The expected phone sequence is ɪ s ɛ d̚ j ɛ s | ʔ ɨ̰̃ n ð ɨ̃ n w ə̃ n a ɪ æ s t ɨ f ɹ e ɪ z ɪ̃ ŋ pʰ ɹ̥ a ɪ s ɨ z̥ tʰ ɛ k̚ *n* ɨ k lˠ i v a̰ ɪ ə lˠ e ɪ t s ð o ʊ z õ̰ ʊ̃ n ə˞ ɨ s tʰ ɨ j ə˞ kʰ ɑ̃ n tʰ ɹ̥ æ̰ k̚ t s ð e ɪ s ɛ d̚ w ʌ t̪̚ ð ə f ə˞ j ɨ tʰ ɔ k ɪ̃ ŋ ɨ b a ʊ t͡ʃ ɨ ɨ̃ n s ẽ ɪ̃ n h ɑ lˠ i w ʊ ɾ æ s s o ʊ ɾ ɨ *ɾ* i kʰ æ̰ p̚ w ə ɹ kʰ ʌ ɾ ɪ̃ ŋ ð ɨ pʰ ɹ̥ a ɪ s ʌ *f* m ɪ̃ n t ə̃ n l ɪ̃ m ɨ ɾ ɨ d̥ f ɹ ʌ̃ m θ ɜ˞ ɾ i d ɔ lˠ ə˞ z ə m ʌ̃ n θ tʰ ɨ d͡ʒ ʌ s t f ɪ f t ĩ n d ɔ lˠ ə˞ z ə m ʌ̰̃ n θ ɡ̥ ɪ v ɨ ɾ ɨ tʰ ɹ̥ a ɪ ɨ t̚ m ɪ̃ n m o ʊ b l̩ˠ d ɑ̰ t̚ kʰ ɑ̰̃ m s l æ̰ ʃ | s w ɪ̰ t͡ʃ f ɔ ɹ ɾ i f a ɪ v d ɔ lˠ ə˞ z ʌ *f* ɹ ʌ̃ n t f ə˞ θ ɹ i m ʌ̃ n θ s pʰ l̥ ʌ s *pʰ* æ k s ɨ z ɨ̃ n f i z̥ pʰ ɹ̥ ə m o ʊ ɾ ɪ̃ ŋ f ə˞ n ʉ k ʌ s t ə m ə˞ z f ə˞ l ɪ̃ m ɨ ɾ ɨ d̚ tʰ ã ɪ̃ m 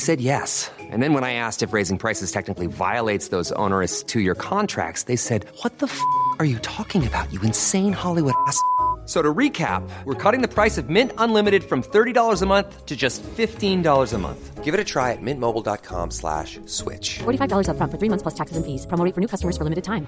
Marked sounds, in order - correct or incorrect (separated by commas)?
correct, incorrect, incorrect, correct, incorrect